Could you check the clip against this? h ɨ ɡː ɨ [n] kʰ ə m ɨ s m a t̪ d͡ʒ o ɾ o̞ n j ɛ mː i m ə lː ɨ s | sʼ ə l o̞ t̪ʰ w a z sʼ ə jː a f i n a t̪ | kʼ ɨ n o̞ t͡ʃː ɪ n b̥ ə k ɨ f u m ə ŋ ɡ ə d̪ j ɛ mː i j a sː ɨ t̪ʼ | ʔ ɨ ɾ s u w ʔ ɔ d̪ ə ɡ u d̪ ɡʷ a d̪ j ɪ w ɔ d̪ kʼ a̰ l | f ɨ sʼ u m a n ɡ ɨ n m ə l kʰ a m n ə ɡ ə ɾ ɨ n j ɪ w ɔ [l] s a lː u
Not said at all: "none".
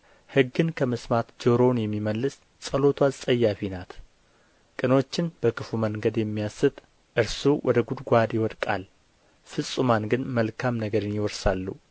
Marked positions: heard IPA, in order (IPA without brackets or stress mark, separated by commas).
n, ɾ